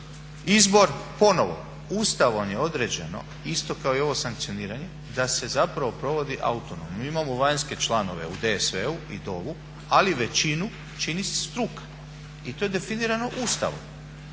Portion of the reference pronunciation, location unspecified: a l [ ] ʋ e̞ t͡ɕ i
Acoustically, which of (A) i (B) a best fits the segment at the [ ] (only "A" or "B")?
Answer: A